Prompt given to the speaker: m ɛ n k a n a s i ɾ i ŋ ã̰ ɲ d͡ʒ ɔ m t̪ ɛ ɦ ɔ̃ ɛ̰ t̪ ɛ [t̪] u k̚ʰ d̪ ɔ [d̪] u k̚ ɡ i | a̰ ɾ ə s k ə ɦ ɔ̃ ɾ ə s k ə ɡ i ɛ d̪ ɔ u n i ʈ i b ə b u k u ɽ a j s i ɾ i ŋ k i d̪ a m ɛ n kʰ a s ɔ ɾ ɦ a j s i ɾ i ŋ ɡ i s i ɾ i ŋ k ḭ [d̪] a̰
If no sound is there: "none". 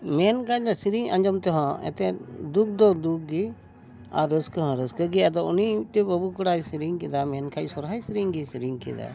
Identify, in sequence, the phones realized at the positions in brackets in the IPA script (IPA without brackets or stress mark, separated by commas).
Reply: d̪, d̪, d̪